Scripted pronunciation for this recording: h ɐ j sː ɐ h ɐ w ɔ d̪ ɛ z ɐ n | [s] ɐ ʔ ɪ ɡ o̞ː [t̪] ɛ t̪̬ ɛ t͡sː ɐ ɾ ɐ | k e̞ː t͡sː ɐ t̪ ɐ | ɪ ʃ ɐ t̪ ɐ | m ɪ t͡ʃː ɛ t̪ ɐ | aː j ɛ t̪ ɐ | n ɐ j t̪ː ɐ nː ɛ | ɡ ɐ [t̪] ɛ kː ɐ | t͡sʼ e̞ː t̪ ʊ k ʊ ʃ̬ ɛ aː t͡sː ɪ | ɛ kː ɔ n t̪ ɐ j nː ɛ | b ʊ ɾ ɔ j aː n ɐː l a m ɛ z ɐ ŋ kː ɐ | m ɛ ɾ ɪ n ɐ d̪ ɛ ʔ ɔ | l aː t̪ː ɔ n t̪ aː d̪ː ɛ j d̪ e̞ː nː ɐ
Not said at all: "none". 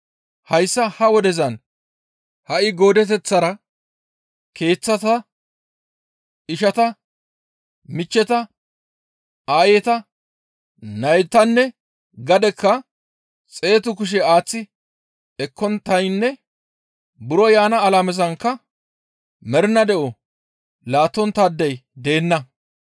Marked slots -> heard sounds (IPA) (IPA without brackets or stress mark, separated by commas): h, d̪, d̪